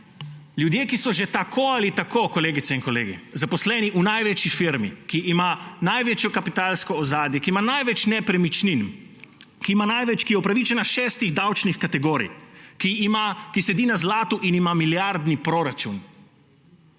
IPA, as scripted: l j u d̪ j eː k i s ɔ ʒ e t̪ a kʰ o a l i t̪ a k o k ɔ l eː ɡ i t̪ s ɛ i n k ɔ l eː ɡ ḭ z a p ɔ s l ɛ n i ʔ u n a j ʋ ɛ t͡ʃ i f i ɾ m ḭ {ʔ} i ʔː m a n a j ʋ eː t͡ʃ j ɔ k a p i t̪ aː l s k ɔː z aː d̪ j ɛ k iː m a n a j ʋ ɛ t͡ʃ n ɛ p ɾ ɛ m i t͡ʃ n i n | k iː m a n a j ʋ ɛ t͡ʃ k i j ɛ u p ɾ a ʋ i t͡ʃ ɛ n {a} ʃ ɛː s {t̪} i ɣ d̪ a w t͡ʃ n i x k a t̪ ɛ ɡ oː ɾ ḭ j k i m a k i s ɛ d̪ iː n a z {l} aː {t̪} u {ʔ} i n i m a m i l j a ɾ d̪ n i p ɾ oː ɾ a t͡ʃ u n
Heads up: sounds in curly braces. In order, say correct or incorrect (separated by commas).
incorrect, correct, correct, correct, correct, correct